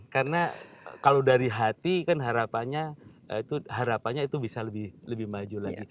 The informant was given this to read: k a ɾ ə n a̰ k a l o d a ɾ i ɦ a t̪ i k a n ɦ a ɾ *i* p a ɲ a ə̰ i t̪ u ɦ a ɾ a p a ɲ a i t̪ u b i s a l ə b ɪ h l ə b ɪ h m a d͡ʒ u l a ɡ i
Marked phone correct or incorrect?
incorrect: a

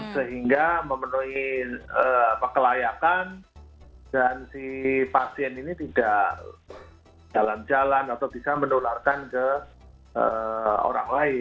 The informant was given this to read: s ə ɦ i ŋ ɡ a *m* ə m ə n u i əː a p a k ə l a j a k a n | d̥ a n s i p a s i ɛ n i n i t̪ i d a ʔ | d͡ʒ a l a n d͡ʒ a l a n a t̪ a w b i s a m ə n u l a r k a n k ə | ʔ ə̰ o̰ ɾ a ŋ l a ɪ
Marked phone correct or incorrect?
correct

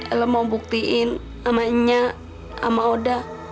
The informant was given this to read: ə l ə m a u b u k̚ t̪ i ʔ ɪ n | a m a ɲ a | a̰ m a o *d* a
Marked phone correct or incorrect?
correct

